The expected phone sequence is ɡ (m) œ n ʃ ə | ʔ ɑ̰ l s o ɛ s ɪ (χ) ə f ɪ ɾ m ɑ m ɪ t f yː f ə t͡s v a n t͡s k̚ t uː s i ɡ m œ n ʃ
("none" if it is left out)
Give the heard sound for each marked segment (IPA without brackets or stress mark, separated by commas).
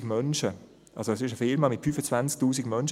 m, ʃ